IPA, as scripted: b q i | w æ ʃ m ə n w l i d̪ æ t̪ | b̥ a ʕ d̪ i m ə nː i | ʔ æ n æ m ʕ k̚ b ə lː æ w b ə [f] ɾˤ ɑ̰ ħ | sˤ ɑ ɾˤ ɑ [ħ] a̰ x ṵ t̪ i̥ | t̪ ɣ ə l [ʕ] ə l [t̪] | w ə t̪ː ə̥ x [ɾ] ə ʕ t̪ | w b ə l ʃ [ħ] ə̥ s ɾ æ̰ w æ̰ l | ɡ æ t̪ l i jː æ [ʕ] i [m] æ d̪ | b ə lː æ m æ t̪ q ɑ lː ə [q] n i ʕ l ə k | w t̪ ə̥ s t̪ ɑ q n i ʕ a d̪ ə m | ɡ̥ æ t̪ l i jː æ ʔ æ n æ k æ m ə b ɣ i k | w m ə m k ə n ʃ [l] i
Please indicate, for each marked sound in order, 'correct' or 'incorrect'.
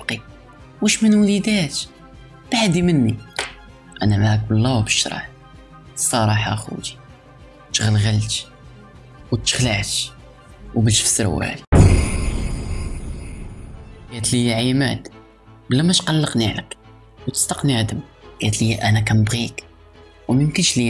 incorrect: ʃ, correct, incorrect: ɣ, correct, incorrect: l, incorrect: f, correct, correct, correct, correct

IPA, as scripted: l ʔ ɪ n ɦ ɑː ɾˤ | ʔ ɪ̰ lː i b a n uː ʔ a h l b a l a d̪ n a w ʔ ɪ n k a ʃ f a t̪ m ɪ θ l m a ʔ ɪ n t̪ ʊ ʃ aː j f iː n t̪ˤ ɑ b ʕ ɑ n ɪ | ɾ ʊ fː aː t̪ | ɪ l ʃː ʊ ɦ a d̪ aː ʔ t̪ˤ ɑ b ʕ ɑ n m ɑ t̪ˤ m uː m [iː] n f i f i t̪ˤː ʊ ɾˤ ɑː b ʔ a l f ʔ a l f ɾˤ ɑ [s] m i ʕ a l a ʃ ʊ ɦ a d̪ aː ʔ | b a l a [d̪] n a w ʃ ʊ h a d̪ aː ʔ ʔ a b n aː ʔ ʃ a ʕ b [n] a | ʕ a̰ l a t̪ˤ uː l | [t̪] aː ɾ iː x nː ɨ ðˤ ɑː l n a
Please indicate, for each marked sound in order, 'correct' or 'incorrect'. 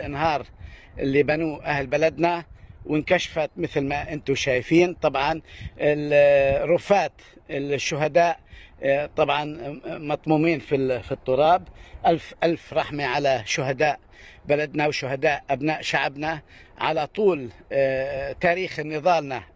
correct, incorrect: ħ, correct, correct, correct

